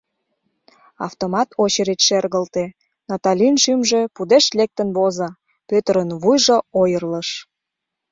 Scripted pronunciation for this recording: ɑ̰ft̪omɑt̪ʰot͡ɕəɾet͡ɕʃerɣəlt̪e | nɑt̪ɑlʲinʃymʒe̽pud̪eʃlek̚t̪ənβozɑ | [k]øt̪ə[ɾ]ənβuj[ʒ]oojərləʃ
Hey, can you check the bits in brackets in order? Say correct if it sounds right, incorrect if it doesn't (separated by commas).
incorrect, correct, correct